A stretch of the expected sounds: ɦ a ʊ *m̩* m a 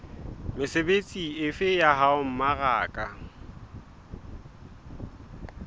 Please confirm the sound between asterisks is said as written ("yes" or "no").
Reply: yes